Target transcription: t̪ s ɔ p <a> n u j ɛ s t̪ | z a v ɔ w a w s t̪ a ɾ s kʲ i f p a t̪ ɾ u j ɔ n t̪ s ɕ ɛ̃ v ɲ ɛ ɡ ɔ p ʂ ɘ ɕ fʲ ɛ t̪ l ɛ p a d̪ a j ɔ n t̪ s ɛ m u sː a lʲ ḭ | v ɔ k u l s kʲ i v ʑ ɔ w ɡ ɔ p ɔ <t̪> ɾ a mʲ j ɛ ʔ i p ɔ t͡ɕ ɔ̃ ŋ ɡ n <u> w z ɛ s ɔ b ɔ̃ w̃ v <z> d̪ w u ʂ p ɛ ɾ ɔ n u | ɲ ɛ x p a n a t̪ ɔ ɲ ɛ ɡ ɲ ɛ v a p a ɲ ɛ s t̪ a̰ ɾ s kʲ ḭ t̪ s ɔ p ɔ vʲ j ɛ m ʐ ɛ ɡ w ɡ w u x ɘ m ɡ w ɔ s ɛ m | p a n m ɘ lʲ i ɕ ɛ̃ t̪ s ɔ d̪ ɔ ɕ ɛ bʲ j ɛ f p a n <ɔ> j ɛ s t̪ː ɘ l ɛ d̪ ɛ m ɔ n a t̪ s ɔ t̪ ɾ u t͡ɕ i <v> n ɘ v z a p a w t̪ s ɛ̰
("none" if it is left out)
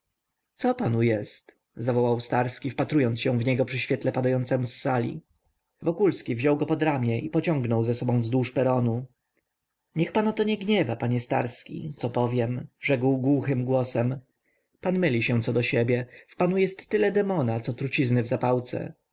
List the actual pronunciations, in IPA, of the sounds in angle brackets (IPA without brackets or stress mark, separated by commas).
a, d̪, ɔ, z, u, z